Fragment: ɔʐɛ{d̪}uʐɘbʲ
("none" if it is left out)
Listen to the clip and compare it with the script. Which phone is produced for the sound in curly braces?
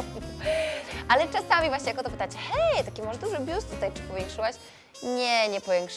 d̪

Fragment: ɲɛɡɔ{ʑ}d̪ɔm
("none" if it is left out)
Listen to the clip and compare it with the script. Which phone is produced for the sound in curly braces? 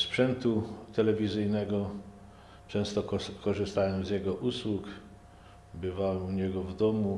v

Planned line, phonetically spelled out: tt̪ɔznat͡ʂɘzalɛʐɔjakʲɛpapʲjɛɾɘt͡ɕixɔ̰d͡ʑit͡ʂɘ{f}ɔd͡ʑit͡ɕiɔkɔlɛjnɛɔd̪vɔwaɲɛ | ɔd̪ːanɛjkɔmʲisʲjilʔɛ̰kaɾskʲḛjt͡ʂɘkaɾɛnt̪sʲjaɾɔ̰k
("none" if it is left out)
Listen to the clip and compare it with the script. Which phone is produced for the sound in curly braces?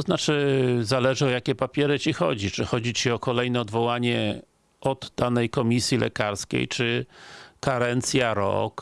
x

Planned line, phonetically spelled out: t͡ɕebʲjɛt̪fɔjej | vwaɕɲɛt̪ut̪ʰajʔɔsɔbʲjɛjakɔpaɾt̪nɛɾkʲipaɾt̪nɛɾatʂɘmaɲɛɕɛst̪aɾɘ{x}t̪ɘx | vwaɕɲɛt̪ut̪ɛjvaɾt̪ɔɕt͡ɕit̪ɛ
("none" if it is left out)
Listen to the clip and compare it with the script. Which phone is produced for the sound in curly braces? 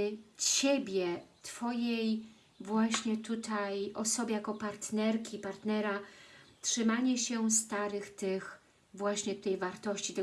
x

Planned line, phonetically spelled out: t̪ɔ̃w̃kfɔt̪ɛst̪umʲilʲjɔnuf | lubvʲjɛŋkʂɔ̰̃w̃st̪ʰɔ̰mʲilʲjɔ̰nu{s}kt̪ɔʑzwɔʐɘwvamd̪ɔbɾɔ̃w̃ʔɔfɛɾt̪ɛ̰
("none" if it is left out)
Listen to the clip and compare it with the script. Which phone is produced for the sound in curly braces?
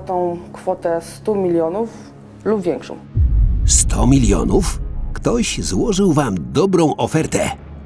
f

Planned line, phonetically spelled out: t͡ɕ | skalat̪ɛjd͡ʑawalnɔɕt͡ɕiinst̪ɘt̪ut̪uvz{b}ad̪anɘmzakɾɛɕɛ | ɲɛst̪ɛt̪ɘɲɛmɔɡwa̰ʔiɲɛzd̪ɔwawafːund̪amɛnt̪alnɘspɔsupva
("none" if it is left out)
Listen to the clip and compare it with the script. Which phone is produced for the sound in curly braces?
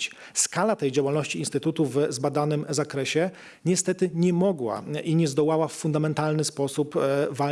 b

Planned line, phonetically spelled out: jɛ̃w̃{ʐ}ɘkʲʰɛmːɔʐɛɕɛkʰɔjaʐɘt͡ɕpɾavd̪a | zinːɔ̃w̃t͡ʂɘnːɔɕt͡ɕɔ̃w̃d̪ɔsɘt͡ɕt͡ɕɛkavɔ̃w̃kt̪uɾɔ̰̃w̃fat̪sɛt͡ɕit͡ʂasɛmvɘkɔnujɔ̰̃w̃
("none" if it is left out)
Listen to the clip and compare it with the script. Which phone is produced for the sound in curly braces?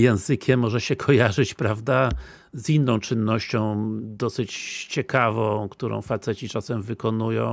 z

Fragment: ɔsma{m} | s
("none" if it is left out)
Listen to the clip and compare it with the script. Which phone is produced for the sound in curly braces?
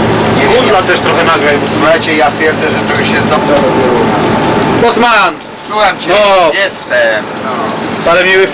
n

